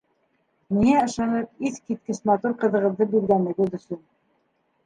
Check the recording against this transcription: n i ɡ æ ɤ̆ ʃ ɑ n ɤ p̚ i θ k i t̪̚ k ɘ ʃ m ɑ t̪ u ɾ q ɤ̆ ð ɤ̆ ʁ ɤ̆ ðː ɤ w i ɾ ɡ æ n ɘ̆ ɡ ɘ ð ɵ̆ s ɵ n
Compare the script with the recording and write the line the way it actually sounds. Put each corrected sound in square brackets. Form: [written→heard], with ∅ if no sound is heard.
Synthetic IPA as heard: [n→m] i [ɡ→ŋ] æ ɤ̆ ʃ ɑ n ɤ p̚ i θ k i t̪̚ k ɘ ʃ m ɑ t̪ u ɾ q ɤ̆ ð ɤ̆ ʁ ɤ̆ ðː ɤ [w→b] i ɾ ɡ æ n ɘ̆ ɡ ɘ ð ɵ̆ s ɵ n